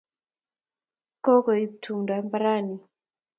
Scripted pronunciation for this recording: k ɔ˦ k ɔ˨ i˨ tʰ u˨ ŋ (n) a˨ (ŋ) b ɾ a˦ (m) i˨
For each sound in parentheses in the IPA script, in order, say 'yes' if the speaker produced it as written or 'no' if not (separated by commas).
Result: no, no, no